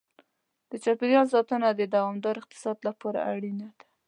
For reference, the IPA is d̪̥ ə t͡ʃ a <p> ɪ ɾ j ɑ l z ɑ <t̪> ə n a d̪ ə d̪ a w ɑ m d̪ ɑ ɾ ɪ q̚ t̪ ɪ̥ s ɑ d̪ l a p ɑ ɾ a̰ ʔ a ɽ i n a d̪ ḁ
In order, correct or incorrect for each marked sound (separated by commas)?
correct, correct